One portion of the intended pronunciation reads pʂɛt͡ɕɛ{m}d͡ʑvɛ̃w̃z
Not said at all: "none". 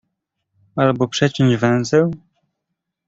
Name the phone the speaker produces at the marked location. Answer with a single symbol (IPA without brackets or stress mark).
ɲ